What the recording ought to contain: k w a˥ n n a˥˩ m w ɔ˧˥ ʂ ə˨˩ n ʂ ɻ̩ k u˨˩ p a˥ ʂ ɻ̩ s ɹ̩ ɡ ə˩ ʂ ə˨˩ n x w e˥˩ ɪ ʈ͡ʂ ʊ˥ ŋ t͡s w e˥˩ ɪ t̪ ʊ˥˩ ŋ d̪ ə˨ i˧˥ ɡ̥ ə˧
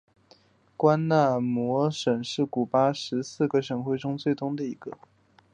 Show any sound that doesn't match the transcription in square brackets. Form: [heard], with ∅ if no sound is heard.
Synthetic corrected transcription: k w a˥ n n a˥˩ m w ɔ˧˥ ʂ ə˨˩ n ʂ ɻ̩ k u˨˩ p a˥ ʂ ɻ̩ s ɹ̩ ɡ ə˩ ʂ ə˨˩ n x w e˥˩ ɪ ʈ͡ʂ ʊ˥ ŋ t͡s w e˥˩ ɪ t̪ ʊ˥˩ ŋ d̪ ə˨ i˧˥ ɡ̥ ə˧